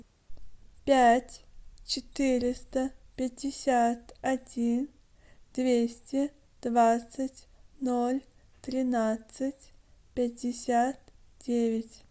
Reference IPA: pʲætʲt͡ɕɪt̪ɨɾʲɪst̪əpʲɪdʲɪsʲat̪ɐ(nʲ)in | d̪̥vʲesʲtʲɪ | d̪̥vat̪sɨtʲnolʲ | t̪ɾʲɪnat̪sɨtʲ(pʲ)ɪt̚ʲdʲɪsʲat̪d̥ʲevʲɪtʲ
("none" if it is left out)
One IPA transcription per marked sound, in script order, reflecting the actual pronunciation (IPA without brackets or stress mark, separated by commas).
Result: dʲ, pʲ